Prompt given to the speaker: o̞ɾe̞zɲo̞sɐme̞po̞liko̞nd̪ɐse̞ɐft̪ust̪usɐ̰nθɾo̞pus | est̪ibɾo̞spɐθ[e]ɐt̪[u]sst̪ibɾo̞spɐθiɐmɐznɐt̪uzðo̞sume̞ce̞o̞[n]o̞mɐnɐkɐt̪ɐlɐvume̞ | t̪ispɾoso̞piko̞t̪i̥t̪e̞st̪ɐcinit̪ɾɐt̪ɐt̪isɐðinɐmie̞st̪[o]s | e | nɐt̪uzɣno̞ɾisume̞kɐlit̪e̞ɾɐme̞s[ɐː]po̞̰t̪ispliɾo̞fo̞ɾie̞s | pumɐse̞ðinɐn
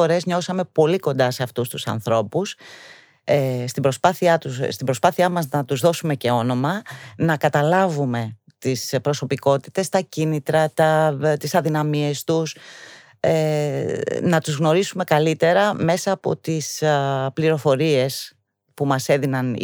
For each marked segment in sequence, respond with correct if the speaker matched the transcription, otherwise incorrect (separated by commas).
incorrect, correct, correct, incorrect, correct